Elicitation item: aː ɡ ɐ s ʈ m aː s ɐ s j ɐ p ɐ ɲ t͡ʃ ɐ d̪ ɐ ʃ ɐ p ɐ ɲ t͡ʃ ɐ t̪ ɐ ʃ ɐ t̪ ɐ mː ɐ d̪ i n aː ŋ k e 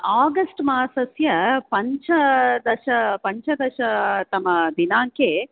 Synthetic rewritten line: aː ɡ ɐ s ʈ m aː s ɐ s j ɐ p ɐ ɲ t͡ʃ ɐ d̪ ɐ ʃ ɐ p ɐ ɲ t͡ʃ ɐ d̪ ɐ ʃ ɐ t̪ ɐ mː ɐ d̪ i n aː ŋ k e